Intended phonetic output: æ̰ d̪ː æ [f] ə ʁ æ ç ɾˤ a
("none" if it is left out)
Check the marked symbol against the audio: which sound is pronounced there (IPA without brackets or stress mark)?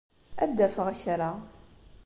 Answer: f